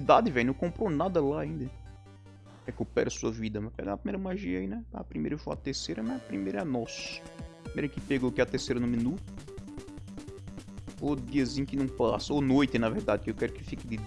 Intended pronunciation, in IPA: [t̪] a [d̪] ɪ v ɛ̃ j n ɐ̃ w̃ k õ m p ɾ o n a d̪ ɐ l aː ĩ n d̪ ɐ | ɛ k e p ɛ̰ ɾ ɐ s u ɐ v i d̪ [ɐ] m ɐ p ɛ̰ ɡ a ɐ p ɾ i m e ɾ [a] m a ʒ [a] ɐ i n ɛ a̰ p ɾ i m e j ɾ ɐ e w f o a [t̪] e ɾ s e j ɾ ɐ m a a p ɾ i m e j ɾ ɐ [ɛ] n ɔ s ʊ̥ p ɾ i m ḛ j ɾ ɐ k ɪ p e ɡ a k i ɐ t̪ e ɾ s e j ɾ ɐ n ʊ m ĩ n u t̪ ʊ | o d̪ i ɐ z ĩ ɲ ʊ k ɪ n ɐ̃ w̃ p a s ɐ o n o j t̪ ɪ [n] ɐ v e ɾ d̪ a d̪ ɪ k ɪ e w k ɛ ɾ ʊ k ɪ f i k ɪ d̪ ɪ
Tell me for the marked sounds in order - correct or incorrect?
incorrect, correct, correct, incorrect, incorrect, correct, correct, correct

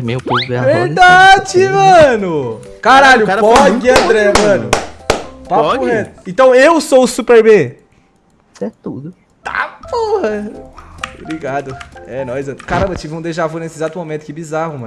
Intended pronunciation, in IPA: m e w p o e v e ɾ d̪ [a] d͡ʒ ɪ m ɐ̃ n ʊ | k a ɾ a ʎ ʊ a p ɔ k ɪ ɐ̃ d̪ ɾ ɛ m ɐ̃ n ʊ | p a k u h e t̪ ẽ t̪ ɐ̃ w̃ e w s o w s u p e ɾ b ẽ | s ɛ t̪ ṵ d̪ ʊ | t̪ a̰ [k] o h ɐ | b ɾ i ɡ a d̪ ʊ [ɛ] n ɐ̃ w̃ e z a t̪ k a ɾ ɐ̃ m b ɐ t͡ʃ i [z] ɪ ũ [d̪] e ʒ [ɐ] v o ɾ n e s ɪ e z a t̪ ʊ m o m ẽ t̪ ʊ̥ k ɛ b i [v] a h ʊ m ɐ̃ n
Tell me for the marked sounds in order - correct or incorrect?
correct, incorrect, correct, incorrect, correct, incorrect, incorrect

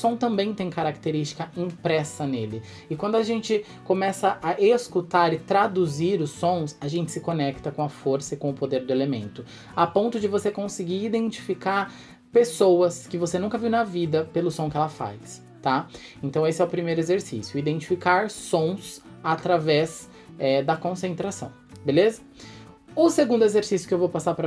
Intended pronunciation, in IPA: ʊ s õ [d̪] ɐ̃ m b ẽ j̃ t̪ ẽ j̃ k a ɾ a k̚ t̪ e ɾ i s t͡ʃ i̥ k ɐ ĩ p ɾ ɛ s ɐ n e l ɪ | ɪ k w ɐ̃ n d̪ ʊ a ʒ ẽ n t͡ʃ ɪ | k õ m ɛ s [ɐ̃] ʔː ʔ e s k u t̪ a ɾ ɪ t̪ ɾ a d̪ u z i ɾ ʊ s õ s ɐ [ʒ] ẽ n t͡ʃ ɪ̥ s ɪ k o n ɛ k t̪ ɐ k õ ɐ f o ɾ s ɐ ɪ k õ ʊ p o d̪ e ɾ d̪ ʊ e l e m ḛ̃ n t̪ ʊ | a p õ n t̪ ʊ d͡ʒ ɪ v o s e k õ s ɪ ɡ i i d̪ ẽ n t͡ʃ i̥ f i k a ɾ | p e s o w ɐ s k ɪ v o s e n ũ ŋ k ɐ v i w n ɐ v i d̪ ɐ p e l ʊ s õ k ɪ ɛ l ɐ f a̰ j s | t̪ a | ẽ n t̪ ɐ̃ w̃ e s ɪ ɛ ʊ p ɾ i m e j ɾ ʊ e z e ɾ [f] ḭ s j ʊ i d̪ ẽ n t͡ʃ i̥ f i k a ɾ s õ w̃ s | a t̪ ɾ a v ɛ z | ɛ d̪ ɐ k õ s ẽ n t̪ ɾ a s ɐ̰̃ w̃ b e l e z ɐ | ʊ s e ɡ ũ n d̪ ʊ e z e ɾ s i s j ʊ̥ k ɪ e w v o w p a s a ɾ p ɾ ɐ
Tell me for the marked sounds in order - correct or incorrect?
incorrect, incorrect, correct, incorrect

